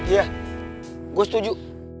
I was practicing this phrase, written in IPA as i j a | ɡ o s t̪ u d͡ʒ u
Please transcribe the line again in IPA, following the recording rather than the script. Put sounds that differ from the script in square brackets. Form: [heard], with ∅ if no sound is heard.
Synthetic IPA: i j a | ɡ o s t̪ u d͡ʒ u